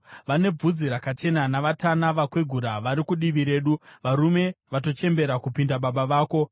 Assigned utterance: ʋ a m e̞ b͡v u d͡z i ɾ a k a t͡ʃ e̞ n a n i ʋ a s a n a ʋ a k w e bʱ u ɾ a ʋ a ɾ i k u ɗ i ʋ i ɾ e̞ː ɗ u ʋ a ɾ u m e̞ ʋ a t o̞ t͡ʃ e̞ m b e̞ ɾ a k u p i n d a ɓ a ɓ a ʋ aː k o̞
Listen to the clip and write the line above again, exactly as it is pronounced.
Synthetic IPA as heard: ʋ a n e̞ b͡v u d͡z i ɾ a k a t͡ʃ e̞ n a n a ʋ a t a n a ʋ a k w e ɡʱ u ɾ a ʋ a ɾ i k u ɗ i ʋ i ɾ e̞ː ɗ u ʋ a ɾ u m e̞ ʋ a t o̞ t͡ʃ e̞ m b e̞ ɾ a k u p i n d a ɓ a ɓ a ʋ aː k o̞